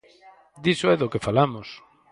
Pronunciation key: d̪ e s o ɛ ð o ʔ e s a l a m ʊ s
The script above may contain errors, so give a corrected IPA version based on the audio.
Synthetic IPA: d̪ i s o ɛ ð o k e f a l a m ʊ s